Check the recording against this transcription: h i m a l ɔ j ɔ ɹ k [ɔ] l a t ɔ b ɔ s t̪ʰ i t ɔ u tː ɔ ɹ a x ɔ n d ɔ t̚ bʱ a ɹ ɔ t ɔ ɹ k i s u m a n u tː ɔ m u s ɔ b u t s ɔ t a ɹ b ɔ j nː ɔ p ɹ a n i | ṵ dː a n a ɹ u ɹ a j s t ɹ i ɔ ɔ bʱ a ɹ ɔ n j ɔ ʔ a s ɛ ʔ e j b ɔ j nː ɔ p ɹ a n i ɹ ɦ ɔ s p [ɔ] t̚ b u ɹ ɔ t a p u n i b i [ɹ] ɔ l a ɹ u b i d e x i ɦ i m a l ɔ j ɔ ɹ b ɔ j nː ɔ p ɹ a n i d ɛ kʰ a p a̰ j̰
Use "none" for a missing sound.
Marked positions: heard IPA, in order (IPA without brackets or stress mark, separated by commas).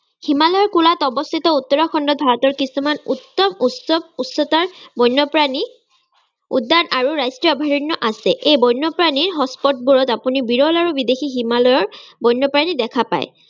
u, ɔ, ɹ